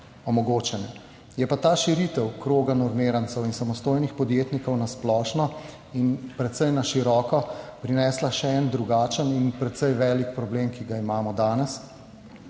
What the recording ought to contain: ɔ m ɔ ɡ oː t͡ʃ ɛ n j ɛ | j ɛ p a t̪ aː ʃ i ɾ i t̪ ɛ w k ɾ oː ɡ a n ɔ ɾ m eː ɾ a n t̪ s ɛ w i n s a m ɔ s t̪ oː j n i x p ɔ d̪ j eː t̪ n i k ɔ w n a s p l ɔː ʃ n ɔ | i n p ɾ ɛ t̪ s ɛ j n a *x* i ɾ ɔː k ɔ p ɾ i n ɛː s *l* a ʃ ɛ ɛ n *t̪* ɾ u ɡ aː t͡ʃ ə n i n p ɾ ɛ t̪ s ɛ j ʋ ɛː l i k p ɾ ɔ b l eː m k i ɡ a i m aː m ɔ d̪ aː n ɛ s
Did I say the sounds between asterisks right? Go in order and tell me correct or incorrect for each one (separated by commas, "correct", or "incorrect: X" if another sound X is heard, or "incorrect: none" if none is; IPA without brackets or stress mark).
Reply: incorrect: ʃ, correct, incorrect: d̪